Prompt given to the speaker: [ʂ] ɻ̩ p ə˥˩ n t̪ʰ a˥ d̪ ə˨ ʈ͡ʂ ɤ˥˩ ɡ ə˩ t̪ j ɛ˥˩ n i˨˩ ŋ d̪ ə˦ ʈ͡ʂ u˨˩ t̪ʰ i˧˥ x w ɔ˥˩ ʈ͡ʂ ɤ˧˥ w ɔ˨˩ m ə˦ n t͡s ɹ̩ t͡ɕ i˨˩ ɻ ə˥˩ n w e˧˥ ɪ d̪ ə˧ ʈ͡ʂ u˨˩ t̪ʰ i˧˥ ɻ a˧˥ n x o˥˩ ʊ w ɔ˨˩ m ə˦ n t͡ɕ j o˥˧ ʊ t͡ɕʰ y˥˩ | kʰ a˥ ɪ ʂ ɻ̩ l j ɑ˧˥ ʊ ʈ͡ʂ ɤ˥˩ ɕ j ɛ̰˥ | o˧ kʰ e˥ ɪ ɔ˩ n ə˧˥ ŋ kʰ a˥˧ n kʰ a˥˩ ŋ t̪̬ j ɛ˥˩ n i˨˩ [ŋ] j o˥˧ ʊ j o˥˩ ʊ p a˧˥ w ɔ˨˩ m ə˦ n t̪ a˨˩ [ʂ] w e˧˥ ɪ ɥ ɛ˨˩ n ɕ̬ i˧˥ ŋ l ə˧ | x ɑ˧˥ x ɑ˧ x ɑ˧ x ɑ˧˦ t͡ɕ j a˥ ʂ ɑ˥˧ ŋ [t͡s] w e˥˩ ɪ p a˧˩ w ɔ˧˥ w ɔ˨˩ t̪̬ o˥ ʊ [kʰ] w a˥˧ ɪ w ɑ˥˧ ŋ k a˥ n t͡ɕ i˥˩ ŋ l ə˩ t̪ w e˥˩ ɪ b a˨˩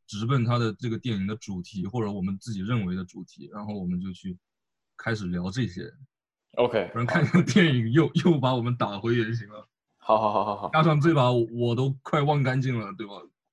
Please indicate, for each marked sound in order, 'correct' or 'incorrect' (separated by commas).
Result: incorrect, correct, incorrect, correct, correct